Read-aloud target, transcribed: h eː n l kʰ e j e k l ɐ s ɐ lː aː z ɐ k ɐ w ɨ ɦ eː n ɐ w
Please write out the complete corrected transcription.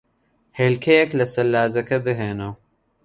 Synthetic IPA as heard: h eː l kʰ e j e k l ɐ s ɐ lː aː z ɐ k ɐ b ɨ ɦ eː n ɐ w

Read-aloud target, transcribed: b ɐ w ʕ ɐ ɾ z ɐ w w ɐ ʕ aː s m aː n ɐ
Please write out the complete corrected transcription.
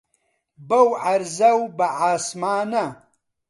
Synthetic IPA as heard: b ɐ w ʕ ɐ ɾ z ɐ w b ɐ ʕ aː s m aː n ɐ

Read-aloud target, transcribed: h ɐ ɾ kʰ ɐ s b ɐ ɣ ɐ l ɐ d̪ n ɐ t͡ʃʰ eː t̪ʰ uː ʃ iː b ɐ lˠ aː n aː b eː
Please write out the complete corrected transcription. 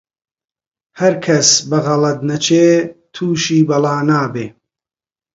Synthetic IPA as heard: h ɐ ɾ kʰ ɐ s b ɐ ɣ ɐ l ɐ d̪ n ɐ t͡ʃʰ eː t̪ʰ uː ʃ iː b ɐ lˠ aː n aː b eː

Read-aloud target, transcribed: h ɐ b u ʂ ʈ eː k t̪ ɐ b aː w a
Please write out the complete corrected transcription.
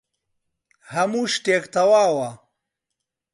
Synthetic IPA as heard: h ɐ m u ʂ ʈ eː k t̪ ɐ w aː w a

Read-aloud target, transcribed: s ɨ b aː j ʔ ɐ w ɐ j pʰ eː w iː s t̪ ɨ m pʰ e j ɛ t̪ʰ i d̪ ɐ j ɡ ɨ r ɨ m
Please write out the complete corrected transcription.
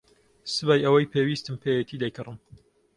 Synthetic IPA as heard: s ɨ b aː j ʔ ɐ w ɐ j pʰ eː w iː s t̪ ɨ m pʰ e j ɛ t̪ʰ i d̪ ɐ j k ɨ r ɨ m

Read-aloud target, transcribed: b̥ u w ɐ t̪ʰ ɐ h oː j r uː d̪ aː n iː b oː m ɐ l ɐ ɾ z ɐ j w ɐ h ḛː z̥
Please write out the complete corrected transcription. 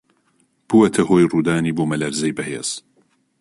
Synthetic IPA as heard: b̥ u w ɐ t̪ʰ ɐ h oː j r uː d̪ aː n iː b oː m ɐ l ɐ ɾ z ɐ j b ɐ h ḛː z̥

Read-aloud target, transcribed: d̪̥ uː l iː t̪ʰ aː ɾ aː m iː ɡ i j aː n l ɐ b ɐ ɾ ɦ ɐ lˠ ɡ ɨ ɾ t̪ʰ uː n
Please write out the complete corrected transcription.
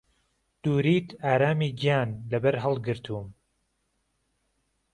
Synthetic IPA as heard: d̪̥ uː ɾ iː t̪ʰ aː ɾ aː m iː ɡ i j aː n l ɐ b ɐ ɾ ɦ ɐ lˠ ɡ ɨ ɾ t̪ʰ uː m

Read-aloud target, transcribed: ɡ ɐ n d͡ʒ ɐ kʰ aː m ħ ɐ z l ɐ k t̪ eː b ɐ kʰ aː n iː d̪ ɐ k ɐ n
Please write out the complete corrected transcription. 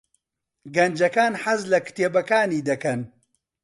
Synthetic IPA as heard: ɡ ɐ n d͡ʒ ɐ k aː n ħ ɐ z l ɐ k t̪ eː b ɐ k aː n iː d̪ ɐ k ɐ n

